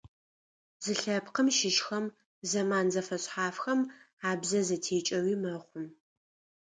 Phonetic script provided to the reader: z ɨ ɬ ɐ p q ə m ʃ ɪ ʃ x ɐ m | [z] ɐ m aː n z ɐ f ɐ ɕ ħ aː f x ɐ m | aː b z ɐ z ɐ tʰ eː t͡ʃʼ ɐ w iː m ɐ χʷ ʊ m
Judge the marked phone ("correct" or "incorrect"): correct